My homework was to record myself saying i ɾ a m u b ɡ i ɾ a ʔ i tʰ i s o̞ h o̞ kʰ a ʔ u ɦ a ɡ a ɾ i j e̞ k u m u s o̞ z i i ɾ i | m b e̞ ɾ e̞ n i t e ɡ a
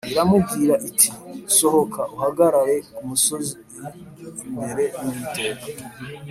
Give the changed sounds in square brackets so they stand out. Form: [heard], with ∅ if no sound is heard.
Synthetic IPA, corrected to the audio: i ɾ a m u b ɡ i ɾ a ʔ i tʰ i s o̞ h o̞ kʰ a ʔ u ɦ a ɡ a ɾ [a] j e̞ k u m u s o̞ z i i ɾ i | m b e̞ ɾ e̞ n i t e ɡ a